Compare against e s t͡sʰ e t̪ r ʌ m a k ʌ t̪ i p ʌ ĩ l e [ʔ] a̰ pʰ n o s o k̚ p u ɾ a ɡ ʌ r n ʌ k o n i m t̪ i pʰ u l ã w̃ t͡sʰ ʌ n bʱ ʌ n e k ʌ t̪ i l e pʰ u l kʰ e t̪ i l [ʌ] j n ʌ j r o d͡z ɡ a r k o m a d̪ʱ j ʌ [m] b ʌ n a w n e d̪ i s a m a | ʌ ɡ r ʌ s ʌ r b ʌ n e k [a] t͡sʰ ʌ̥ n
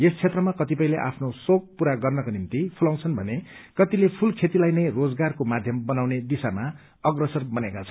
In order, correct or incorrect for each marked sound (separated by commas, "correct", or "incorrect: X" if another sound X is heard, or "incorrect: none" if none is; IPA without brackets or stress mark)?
correct, incorrect: a, correct, correct